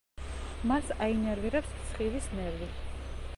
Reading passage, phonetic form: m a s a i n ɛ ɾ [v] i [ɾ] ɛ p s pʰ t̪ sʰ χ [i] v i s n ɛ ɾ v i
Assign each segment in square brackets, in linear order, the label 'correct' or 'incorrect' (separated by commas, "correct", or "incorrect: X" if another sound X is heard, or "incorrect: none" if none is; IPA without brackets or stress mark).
correct, correct, correct